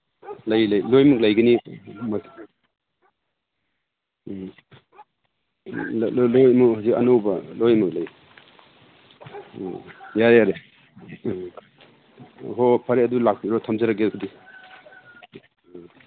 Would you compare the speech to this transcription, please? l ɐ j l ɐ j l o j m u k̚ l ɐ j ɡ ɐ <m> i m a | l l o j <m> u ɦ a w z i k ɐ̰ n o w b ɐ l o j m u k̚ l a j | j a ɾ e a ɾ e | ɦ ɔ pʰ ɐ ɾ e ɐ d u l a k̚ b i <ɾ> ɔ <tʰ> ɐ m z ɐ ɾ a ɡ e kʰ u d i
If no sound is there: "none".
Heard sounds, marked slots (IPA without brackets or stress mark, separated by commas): n, m, ɾ, tʰ